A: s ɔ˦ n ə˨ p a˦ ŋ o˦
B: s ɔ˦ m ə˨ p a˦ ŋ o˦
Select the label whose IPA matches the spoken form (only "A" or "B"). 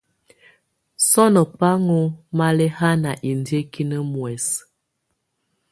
A